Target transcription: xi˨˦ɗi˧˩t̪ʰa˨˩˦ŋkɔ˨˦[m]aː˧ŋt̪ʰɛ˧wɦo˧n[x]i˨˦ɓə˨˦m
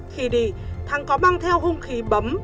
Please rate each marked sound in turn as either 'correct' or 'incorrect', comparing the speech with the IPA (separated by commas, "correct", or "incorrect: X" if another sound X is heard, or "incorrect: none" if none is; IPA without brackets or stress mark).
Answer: correct, correct